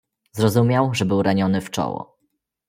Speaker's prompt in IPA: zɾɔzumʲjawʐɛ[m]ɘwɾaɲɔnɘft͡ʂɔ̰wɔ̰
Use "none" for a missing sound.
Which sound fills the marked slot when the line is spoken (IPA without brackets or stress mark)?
b